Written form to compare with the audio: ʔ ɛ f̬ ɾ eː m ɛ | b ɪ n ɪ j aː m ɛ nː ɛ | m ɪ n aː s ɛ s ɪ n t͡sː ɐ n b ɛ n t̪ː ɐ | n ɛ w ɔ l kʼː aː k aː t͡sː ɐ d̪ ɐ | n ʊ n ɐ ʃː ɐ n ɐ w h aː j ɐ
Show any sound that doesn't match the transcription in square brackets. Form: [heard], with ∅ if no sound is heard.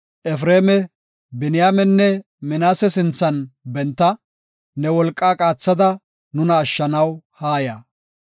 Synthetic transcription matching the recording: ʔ ɛ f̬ ɾ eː m ɛ | b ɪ n ɪ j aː m ɛ nː ɛ | m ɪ n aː s ɛ s ɪ n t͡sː ɐ n b ɛ n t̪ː ɐ | n ɛ w ɔ l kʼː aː [kʼ] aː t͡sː ɐ d̪ ɐ | n ʊ n [ɐː] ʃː ɐ n ɐ w h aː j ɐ